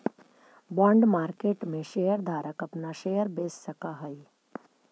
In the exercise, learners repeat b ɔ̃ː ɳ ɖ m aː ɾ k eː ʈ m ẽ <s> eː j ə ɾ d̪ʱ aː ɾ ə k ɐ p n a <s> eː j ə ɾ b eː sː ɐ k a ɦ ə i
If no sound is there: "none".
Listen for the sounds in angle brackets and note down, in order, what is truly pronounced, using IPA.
ʃ, ʃ

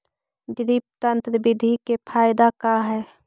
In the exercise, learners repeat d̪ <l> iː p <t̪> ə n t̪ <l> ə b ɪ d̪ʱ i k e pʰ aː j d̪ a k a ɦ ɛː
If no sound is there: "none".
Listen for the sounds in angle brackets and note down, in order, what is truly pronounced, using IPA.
ɾ, t̪, ɾ

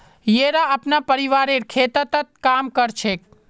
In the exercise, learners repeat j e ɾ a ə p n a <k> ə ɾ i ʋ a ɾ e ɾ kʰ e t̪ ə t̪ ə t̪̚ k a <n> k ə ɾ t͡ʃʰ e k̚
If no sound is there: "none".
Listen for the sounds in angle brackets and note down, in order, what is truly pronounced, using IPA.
p, m

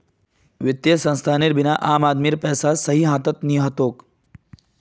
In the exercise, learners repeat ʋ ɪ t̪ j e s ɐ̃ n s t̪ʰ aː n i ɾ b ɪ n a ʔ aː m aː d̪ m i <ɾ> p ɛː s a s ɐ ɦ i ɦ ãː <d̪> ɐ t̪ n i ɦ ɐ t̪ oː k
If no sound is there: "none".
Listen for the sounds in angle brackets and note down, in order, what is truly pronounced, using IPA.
ɾ, t̪

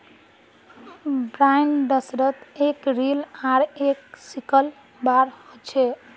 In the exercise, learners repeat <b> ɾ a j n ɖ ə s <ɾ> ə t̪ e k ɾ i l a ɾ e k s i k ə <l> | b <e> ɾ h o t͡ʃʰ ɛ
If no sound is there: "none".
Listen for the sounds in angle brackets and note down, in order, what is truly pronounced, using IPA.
b, ɾ, l, a

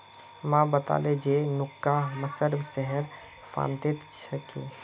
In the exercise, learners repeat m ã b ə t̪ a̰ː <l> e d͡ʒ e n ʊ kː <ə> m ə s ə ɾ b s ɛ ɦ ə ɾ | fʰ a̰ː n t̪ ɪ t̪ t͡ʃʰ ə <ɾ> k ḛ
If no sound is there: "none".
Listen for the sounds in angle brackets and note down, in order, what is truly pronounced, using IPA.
l, a, none

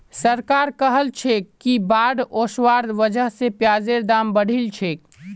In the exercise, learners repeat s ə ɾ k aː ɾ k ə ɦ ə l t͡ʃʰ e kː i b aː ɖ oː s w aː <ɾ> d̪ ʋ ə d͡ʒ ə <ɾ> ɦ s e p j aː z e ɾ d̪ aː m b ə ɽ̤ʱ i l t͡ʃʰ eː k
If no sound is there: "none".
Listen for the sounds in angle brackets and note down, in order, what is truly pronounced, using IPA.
ɾ, none

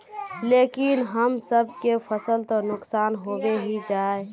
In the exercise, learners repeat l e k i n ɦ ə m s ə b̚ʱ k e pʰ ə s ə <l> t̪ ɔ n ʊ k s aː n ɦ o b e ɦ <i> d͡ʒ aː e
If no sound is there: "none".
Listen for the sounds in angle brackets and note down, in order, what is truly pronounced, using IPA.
l, i

